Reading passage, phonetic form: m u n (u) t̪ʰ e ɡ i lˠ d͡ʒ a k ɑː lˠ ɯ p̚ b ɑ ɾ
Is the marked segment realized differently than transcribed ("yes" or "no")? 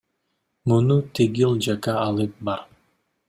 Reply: no